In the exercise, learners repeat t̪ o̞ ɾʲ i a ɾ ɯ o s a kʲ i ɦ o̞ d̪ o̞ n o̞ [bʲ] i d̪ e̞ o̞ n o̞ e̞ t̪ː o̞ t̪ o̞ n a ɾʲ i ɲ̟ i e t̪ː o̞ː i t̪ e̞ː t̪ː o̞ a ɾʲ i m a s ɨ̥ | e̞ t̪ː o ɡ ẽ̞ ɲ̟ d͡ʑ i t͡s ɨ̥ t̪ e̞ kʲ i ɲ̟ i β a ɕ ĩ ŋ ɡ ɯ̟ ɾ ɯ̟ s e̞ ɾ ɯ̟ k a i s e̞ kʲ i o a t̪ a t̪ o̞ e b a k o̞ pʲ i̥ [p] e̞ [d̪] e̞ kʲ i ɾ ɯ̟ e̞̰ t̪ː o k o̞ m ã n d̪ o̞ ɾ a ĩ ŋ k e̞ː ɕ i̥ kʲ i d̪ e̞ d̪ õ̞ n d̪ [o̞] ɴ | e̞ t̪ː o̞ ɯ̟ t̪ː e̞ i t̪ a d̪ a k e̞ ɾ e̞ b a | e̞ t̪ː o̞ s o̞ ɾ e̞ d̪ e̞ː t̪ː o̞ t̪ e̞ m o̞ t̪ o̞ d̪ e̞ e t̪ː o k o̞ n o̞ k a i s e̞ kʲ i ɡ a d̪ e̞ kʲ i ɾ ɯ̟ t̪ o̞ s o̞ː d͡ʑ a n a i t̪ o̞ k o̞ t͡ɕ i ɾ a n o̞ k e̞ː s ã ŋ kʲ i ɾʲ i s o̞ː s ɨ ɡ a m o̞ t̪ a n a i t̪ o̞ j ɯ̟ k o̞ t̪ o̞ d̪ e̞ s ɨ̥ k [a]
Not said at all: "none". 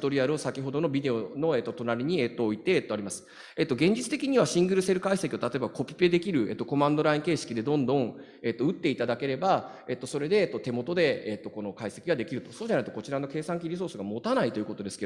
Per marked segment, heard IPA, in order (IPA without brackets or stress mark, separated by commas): bʲ, p, d̪, õ̞, e